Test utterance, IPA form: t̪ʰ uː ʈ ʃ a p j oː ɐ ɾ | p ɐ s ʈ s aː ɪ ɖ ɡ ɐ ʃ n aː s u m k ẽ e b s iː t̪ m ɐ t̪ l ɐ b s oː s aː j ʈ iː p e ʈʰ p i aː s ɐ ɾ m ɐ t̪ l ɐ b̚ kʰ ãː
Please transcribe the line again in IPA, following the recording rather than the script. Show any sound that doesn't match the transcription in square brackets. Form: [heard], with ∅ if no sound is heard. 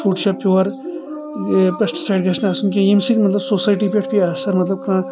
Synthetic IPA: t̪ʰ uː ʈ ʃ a p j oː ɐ ɾ | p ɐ s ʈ s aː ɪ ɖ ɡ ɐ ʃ n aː s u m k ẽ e [m] s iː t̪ m ɐ t̪ l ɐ b s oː s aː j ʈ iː p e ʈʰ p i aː s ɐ ɾ m ɐ t̪ l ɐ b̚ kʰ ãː